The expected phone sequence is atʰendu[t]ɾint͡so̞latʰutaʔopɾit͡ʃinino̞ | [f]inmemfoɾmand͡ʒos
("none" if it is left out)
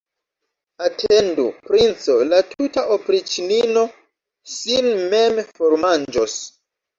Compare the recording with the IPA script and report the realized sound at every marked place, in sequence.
p, s

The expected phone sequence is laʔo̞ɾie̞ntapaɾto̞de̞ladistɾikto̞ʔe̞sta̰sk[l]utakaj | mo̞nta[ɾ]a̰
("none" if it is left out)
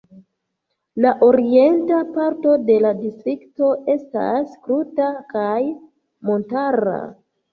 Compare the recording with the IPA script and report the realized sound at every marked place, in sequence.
ɾ, ɾ

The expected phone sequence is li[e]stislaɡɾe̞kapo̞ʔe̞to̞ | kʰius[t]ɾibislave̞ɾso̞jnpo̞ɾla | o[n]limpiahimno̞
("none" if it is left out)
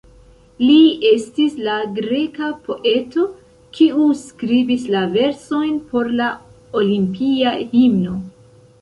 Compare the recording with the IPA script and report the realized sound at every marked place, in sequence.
e, k, none

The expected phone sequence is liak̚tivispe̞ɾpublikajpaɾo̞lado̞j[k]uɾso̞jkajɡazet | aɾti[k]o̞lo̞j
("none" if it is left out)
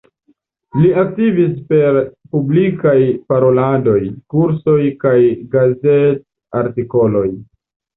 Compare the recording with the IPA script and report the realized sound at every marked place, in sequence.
k, k

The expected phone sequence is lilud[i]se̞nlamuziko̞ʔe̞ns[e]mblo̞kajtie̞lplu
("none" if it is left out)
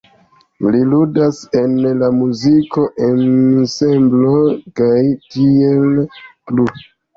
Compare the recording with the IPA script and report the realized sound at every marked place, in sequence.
a, e

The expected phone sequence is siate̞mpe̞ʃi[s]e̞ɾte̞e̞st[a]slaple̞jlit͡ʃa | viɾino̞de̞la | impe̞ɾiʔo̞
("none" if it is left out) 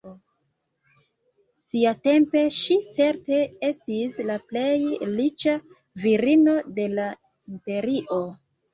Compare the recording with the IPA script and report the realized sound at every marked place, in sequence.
t͡s, i

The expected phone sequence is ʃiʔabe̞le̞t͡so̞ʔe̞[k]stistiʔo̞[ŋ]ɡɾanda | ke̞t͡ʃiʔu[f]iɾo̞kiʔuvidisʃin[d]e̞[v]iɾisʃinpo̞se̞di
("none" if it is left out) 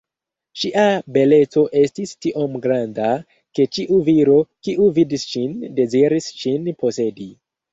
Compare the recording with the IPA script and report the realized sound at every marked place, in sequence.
none, m, v, d, z

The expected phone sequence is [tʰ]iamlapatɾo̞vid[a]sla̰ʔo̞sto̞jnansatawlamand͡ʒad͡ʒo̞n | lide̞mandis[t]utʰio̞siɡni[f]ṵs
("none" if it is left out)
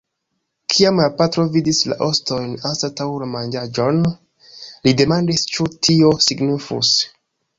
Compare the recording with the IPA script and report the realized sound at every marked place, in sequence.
kʰ, i, t͡ʃ, f

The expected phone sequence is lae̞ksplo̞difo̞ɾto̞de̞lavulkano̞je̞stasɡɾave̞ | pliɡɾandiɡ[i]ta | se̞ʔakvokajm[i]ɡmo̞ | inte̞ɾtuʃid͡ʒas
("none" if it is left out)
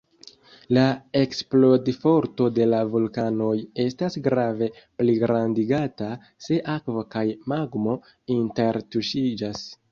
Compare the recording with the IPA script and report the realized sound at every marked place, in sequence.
a, a

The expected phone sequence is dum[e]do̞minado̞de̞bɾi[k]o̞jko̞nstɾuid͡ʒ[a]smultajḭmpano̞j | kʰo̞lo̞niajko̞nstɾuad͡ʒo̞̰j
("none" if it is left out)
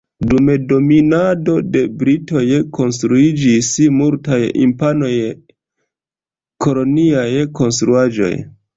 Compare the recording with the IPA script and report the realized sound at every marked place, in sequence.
e, t, i

